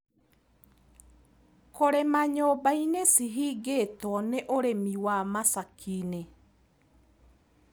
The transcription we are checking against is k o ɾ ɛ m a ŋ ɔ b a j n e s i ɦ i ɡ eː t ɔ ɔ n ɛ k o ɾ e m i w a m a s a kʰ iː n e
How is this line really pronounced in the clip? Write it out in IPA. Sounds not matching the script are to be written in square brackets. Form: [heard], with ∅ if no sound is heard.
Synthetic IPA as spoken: k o ɾ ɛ m a [ɲ] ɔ b a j n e s i ɦ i ɡ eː t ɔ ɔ n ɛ [ʔ] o ɾ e m i w a m a s a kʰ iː n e